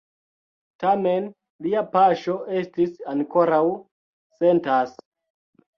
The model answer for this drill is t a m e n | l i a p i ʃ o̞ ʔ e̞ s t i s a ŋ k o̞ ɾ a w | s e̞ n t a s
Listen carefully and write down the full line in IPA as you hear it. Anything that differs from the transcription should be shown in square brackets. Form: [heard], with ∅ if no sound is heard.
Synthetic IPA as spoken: t a m e n | l i a p [a] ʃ o̞ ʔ e̞ s t i s a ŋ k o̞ ɾ a w | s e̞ n t a s